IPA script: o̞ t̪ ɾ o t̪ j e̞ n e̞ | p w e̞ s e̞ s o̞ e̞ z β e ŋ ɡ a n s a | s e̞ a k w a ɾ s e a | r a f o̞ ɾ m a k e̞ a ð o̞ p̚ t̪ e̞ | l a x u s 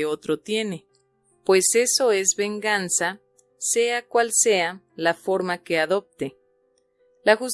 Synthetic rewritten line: o̞ t̪ ɾ o t̪ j e̞ n e̞ | p w e̞ s e̞ s o̞ e̞ z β e ŋ ɡ a n s a | s e̞ a k w a l s e a | l a f o̞ ɾ m a k e̞ a ð o̞ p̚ t̪ e̞ | l a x u s